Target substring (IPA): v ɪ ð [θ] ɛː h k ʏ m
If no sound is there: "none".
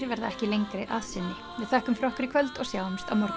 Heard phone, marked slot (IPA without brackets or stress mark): θ